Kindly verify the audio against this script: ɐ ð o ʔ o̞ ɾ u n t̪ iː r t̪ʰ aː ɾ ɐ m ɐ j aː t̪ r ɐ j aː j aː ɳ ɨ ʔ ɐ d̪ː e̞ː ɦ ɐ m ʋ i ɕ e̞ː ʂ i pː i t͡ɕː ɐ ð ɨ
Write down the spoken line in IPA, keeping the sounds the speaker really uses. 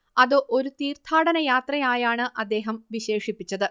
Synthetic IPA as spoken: ɐ ð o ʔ o̞ ɾ u t̪ iː r t̪ʰ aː ɽ ɐ n ɐ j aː t̪ r ɐ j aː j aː ɳ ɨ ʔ ɐ d̪ː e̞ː ɦ ɐ m ʋ i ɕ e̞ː ʂ i pː i t͡ɕː ɐ ð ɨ